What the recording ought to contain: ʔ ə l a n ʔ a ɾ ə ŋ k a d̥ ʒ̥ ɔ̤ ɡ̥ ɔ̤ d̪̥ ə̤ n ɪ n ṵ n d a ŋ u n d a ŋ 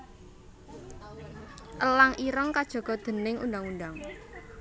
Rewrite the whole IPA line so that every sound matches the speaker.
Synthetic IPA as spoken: ʔ ə l a ŋ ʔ i ɾ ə ŋ k a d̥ ʒ̥ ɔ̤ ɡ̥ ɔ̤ d̪̥ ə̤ n ɪ ŋ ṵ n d a ŋ u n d a ŋ